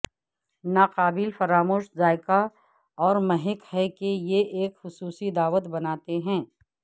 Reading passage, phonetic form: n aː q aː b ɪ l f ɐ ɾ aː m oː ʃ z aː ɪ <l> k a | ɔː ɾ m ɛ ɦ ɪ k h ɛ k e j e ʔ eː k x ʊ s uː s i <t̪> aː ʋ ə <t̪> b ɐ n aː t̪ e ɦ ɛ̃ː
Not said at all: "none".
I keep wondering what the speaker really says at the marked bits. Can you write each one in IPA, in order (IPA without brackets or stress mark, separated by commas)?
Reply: none, d̪, t̪